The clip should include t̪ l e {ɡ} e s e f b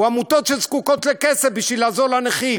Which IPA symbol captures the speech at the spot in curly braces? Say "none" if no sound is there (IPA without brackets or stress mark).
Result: k